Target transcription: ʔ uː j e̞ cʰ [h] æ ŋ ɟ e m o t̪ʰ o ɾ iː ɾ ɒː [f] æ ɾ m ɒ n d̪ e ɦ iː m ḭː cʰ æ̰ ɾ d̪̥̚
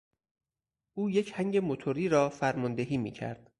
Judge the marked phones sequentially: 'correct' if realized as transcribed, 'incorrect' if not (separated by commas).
correct, correct